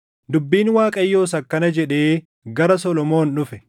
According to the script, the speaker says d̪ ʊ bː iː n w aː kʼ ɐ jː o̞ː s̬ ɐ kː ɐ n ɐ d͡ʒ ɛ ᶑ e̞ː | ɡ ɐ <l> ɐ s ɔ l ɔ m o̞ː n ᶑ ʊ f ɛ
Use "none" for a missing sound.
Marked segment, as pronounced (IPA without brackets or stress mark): ɾ